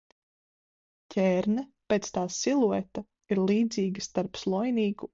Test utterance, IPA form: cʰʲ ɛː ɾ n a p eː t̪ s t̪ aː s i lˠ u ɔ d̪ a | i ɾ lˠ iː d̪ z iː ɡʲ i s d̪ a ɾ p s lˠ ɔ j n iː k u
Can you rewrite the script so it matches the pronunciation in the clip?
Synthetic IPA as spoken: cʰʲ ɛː ɾ n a p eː t̪ s t̪ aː s i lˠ u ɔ t̪ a | i ɾ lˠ iː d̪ z iː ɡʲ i s t̪ a ɾ p s lˠ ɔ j n iː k u